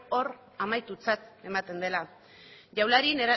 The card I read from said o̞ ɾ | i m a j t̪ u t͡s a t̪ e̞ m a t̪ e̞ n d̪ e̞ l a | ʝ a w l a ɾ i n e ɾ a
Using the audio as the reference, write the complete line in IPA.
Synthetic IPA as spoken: o̞ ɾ | a m a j t̪ u t͡s a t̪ e̞ m a t̪ e̞ n d̪ e̞ l a | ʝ a w l a ɾ i n e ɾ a